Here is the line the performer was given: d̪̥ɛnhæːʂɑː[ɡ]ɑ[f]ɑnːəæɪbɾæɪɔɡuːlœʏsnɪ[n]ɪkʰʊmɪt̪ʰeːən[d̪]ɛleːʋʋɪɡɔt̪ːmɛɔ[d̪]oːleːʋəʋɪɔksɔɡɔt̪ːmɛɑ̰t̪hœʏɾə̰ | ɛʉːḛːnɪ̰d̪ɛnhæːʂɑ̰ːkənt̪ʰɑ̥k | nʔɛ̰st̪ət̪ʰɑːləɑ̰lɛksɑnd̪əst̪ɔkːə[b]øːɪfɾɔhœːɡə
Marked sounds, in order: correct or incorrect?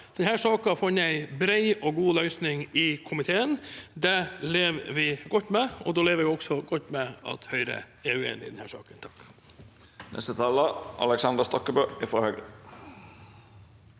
incorrect: k, correct, incorrect: ŋ, correct, correct, correct

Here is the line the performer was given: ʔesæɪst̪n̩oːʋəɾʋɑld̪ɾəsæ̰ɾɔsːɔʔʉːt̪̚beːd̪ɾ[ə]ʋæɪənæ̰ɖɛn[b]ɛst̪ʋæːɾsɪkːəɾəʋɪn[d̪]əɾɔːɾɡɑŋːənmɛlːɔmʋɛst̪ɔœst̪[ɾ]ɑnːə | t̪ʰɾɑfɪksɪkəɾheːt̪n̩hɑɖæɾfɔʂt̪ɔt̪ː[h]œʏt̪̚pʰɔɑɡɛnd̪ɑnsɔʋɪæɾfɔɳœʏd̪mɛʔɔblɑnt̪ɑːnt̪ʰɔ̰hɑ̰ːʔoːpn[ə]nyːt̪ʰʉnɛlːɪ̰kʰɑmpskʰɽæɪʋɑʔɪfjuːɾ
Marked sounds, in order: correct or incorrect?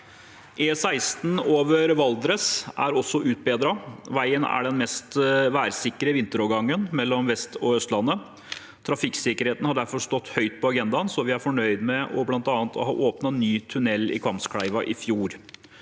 incorrect: ɑ, incorrect: m, incorrect: t̪, incorrect: l, correct, incorrect: ɑ

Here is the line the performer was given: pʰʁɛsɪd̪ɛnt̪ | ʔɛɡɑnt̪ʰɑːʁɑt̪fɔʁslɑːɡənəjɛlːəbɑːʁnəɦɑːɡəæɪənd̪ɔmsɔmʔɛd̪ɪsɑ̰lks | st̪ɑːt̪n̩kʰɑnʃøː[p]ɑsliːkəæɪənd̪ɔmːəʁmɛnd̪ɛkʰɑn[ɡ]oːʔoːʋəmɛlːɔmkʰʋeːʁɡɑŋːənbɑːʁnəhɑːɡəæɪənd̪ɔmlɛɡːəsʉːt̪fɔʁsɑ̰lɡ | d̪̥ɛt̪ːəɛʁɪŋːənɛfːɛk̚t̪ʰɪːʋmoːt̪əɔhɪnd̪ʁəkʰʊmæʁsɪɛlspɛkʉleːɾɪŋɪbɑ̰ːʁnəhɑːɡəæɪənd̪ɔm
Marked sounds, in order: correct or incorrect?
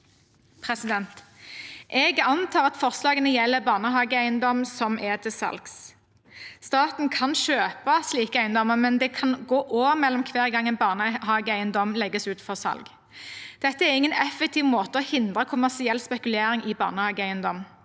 correct, correct

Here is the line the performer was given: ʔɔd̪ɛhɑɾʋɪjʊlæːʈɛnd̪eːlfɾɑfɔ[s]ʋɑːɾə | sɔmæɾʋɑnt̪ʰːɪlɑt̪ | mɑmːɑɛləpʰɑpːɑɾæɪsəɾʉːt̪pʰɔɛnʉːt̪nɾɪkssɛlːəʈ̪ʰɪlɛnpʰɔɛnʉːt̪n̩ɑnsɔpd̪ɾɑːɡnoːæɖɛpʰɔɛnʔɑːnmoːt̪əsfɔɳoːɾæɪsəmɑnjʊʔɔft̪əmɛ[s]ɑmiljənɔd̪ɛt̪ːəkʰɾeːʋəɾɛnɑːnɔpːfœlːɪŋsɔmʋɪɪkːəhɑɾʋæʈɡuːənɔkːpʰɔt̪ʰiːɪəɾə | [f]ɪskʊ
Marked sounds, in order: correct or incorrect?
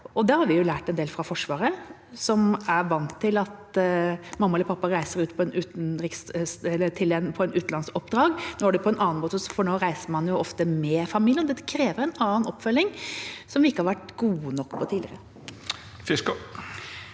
incorrect: ʂ, incorrect: f, correct

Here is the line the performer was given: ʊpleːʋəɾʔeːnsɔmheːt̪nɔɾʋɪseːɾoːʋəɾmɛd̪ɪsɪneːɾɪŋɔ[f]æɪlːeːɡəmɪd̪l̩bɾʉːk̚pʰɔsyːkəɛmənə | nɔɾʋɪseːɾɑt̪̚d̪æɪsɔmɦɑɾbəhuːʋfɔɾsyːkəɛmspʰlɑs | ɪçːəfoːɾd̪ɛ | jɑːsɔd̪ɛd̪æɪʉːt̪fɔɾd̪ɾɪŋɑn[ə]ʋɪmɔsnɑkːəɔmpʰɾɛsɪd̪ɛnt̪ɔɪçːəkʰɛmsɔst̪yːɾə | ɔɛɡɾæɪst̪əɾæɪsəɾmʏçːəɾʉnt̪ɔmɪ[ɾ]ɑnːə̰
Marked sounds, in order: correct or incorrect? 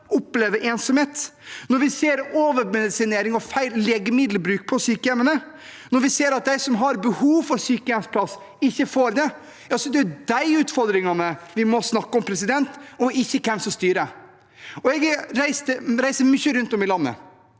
correct, correct, incorrect: l

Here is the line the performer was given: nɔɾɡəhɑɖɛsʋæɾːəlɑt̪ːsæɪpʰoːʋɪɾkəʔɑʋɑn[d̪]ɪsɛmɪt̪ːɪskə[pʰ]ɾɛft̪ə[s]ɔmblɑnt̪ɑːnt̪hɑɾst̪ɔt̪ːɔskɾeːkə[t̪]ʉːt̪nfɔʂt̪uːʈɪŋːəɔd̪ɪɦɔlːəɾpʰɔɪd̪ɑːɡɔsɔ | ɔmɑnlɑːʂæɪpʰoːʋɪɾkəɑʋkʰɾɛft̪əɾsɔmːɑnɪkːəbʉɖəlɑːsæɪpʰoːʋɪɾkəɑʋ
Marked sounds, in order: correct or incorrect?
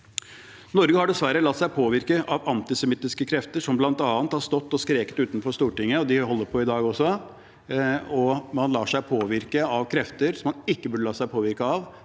incorrect: t̪, incorrect: kʰ, incorrect: ʂ, correct

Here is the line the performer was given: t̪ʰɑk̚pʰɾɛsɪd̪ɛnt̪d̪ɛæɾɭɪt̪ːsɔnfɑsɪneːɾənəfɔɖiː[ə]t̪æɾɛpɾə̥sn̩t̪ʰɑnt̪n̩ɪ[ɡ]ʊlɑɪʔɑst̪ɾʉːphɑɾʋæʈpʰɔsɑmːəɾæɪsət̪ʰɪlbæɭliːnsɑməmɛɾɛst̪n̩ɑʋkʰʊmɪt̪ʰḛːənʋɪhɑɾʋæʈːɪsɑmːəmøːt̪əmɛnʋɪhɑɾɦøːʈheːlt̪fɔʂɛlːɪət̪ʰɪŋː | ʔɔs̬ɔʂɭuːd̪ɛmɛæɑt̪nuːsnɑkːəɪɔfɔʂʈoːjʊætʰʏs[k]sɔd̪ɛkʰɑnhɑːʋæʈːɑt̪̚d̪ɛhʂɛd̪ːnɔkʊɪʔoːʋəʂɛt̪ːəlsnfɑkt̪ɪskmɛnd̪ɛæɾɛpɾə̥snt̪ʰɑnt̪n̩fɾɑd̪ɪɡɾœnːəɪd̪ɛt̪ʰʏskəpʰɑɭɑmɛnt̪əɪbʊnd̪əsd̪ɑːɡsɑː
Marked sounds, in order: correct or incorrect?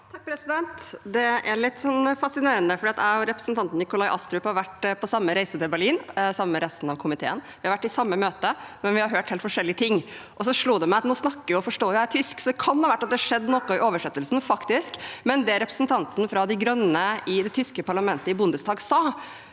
incorrect: ɑ, incorrect: k, correct

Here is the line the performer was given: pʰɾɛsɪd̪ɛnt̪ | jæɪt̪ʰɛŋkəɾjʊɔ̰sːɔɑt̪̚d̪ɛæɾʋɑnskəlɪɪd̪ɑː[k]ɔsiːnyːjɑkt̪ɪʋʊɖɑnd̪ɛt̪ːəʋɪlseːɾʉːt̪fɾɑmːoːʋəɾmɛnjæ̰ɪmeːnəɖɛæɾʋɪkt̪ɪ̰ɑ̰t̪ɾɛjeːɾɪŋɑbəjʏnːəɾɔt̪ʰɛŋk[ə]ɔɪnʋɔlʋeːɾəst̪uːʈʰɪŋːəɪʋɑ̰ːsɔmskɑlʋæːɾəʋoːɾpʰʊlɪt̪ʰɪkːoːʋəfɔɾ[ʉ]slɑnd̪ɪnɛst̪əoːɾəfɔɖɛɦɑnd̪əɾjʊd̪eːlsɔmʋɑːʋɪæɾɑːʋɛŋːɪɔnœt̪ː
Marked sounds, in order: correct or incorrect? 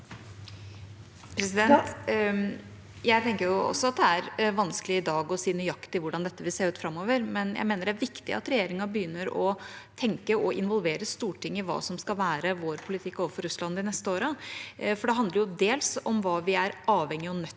incorrect: ɡ, correct, correct

